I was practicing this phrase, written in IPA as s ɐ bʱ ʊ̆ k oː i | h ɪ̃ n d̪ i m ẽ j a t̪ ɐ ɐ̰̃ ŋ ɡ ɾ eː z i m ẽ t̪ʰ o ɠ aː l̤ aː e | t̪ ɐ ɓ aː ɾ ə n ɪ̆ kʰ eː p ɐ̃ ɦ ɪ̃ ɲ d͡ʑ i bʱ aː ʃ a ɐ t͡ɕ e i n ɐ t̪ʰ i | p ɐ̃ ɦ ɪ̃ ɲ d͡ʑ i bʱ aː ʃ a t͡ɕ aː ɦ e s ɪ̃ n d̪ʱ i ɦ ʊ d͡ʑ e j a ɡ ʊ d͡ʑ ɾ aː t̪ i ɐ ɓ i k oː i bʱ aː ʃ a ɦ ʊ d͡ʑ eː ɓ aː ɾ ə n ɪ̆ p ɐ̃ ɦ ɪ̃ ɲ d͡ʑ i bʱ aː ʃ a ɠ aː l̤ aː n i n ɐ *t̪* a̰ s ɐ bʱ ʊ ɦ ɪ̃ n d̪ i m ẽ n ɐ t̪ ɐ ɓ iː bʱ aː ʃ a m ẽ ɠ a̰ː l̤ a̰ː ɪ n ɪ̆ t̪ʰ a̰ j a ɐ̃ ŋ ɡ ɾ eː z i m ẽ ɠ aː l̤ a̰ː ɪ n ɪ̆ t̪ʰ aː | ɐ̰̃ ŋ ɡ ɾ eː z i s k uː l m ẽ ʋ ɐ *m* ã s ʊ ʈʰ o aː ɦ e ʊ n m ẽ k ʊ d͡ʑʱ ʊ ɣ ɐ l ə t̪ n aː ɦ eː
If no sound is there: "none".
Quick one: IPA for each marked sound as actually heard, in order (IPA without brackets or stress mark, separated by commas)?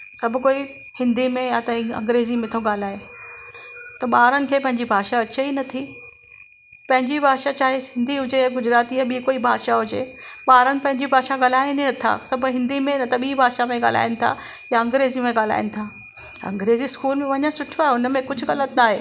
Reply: t̪ʰ, ɲ